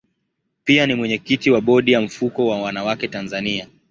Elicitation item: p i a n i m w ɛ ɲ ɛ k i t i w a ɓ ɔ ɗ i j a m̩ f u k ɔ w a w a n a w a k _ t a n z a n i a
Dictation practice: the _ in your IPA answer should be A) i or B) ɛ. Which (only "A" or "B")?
B